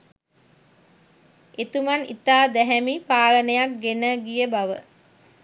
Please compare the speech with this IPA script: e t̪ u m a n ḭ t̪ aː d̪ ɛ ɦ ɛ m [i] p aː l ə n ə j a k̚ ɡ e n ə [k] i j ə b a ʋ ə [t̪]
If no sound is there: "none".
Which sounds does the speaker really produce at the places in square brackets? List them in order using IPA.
i, ɡ, none

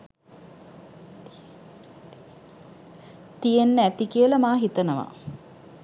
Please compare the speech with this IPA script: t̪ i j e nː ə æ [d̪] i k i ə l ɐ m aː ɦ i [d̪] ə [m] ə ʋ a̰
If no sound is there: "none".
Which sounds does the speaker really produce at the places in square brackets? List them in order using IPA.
t̪, t̪, n

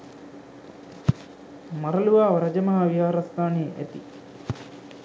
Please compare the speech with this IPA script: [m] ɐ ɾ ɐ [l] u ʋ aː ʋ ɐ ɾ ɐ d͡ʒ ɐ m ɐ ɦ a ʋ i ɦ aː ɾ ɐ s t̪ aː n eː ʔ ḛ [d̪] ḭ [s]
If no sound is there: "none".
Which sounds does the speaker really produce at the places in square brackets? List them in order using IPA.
m, l, t̪, none

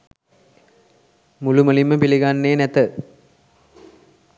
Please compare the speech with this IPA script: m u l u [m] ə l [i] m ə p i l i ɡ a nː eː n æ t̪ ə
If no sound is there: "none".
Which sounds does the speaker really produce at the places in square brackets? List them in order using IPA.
m, i

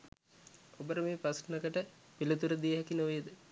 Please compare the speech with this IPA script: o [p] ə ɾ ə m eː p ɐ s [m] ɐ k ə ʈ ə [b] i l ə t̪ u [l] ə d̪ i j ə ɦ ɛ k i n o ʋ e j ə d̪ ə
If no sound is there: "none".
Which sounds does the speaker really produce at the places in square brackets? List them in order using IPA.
b, n, p, ɾ

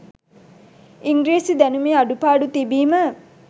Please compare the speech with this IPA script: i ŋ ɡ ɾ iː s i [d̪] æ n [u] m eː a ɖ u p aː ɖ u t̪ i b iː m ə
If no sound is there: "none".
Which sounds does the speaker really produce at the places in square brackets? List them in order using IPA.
d̪, u

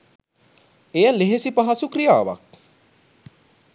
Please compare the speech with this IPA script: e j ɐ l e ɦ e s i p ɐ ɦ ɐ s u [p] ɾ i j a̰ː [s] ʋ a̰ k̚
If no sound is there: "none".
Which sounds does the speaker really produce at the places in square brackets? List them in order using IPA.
k, none

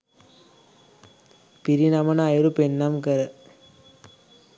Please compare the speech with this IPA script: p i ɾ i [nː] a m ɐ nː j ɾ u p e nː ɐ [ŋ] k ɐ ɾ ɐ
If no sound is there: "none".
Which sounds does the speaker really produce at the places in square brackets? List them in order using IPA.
n, m

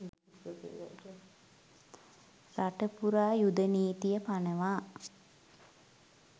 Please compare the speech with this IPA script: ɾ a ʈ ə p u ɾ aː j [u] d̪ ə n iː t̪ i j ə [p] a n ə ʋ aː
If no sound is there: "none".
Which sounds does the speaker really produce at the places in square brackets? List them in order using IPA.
u, p

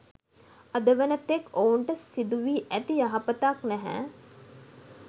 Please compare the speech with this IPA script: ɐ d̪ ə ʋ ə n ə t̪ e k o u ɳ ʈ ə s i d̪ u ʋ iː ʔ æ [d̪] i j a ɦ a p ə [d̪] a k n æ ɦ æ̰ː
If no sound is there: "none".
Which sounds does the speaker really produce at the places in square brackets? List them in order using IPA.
t̪, t̪

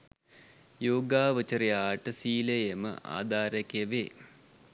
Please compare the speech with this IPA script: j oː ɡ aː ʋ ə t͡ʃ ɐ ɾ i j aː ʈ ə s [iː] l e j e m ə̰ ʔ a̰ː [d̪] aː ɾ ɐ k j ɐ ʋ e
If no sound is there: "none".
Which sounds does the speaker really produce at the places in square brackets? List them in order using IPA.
iː, d̪

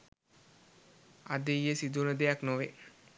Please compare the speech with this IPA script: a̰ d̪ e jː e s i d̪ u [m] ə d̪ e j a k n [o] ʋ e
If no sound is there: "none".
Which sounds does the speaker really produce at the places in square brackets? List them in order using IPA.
n, o

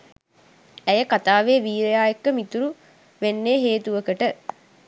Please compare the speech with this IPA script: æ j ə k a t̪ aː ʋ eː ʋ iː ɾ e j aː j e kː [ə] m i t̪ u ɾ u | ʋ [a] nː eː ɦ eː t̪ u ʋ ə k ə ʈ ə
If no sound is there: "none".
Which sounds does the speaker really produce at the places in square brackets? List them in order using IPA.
ə, e

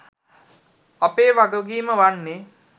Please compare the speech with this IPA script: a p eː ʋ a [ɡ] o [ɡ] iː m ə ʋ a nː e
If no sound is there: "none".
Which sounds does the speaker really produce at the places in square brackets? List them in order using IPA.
ɡ, ɡ

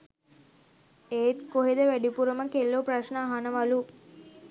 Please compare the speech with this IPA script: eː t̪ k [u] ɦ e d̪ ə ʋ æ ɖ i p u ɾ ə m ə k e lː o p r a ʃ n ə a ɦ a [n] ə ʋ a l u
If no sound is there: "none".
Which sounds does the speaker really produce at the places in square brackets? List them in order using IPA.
o, n

